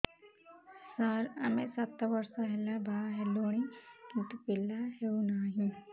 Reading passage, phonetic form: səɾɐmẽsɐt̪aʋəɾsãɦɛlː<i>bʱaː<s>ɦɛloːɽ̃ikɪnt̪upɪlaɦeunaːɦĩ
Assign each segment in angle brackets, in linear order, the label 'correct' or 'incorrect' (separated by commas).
incorrect, incorrect